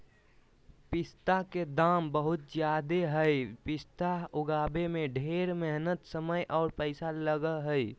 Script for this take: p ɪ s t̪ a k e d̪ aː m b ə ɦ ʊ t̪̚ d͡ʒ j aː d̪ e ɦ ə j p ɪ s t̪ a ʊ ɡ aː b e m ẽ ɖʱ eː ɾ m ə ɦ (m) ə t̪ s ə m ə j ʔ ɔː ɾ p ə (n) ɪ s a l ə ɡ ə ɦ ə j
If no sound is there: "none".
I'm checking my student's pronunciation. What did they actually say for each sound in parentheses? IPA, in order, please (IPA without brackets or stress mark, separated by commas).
n, none